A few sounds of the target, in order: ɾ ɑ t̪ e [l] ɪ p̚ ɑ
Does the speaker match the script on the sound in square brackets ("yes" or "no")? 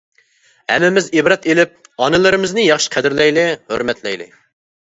yes